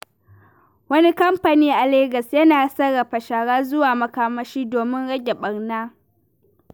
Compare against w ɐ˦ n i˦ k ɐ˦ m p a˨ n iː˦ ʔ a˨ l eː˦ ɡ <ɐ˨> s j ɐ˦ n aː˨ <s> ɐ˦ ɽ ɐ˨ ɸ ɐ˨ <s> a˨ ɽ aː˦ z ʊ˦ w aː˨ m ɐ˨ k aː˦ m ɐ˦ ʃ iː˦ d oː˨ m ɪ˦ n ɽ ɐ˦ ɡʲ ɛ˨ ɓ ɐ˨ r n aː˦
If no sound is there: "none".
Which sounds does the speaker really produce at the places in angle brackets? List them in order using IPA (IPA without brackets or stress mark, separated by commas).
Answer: ɐ˨, s, ʃ